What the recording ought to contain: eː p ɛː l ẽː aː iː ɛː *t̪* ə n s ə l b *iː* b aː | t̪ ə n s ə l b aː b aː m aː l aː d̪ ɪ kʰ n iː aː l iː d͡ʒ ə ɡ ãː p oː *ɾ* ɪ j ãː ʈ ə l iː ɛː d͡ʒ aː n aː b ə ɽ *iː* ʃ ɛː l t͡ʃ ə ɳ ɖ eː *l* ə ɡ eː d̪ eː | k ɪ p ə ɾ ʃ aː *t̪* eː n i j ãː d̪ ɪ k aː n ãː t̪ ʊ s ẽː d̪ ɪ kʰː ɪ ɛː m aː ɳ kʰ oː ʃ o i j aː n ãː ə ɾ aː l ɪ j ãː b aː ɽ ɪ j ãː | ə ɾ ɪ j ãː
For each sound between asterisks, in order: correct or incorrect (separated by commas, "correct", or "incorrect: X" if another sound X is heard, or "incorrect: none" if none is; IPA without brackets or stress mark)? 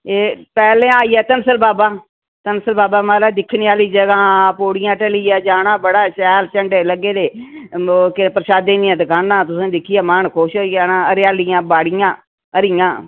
correct, incorrect: aː, incorrect: ɽ, incorrect: aː, correct, incorrect: d̪